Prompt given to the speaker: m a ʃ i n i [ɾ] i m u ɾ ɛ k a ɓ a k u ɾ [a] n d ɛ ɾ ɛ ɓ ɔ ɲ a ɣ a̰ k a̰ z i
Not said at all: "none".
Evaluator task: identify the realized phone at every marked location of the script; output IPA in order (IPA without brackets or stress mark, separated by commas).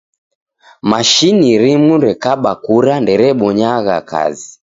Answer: ɾ, a